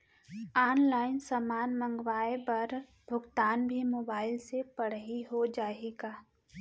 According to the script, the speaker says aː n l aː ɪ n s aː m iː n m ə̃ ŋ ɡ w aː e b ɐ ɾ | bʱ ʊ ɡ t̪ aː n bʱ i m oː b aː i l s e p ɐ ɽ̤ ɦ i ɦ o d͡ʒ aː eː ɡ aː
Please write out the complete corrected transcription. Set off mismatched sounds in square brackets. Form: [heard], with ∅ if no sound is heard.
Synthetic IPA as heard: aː n l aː ɪ n s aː m [aː] n m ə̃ ŋ ɡ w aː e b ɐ ɾ | bʱ ʊ ɡ t̪ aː n bʱ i m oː b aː [ɪ] l s e p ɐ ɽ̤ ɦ i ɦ o d͡ʒ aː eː ɡ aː

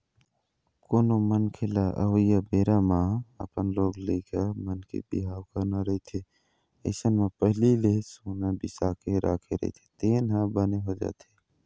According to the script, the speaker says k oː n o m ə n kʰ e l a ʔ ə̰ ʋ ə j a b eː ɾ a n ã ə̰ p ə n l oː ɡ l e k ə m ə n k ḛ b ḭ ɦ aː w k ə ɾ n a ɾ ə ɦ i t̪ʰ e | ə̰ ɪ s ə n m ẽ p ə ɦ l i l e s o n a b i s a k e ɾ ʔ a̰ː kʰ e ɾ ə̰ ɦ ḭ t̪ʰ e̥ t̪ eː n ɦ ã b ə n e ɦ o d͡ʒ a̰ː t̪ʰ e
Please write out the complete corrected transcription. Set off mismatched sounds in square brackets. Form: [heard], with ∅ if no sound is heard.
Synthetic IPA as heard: k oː n o m ə n kʰ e l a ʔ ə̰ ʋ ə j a b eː ɾ a [m] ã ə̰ p ə n l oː ɡ l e k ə m ə n k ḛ b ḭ ɦ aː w k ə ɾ n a ɾ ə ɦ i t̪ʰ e | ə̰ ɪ s ə n m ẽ p ə ɦ l i l e s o n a b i s a k e ɾ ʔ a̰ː kʰ e ɾ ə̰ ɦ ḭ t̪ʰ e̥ t̪ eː n ɦ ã b ə n e ɦ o d͡ʒ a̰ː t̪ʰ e

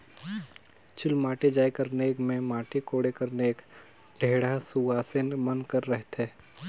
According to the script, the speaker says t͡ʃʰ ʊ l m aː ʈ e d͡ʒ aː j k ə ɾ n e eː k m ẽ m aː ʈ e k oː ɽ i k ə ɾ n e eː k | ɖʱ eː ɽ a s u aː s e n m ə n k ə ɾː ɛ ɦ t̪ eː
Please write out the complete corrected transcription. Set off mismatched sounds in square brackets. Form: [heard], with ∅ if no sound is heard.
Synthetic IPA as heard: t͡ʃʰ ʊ l m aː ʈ e d͡ʒ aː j k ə ɾ n e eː k m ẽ m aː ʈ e k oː ɽ [e] k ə ɾ n e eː k | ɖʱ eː ɽ a s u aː s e n m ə n k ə ɾː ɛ ɦ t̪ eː

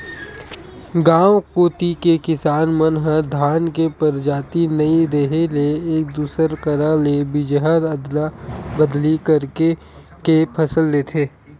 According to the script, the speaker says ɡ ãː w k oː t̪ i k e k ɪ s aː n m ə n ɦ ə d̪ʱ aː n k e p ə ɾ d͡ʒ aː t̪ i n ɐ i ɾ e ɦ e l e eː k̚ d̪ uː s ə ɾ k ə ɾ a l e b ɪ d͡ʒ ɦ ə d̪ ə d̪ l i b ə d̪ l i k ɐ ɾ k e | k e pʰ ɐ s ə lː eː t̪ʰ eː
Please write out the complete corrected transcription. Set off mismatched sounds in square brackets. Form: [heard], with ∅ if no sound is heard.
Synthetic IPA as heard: ɡ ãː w k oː t̪ i k e k ɪ s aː n m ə n ɦ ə d̪ʱ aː n k e p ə ɾ d͡ʒ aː t̪ i n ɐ i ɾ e ɦ e l e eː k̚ d̪ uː s ə ɾ k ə ɾ a l e b ɪ d͡ʒ ɦ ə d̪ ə d̪ l [a] b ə d̪ l i k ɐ ɾ k e | k e pʰ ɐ s ə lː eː t̪ʰ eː

